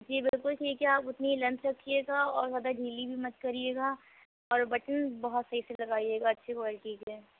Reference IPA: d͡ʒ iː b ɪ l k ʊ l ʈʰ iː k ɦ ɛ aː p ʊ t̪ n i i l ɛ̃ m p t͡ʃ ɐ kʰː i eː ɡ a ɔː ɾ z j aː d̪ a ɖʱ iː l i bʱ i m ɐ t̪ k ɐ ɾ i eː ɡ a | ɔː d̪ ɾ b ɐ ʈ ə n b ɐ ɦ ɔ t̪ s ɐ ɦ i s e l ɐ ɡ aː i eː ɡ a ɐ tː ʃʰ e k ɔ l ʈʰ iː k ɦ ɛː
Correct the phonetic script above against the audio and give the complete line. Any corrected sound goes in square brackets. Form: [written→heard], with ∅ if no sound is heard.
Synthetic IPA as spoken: d͡ʒ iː b ɪ l k ʊ l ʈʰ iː k ɦ ɛ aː p ʊ t̪ n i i l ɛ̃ m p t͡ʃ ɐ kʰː i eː ɡ a ɔː ɾ z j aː d̪ a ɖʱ iː l i bʱ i m ɐ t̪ k ɐ ɾ i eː ɡ a | ɔː [d̪→∅] ɾ b ɐ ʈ ə n b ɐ ɦ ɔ t̪ s ɐ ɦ i s e l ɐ ɡ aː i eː ɡ a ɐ tː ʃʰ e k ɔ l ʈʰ iː k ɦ ɛː